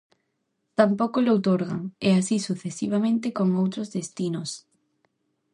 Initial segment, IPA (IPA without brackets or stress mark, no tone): t̪